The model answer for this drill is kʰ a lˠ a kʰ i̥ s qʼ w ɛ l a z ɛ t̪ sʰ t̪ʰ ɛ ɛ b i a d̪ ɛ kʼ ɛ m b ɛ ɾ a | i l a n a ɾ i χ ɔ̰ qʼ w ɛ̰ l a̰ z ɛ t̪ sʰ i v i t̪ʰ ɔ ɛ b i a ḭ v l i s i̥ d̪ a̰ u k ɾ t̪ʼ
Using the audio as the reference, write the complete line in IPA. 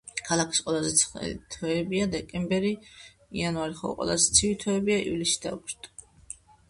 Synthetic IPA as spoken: kʰ a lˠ a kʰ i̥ s qʼ w ɛ l a z ɛ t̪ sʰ t̪ʰ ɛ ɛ b i a d̪ ɛ kʼ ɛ m b ɛ ɾ i | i a n a ɾ i χ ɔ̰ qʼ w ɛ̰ l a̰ z ɛ t̪ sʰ i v i t̪ʰ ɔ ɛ b i a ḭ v l i s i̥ d̪ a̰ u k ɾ t̪ʼ